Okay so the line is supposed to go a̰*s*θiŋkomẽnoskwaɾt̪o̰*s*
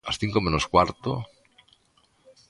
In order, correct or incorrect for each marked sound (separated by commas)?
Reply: correct, incorrect